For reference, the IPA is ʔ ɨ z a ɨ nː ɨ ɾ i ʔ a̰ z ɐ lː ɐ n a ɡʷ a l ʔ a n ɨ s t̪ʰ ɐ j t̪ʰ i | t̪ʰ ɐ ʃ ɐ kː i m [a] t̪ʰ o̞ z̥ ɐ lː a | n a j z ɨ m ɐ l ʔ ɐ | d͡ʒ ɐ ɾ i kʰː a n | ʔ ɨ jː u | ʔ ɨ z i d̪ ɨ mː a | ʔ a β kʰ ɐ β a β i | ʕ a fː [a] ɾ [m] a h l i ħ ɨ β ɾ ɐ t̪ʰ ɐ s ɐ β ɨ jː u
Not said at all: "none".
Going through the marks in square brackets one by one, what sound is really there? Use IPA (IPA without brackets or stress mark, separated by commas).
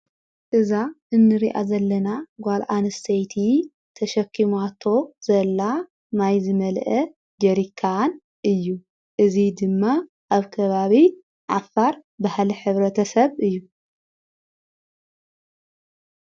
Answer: a, a, b